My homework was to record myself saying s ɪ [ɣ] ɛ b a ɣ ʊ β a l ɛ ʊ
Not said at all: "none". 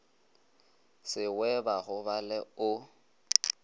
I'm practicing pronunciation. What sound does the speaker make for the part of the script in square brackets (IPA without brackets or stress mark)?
w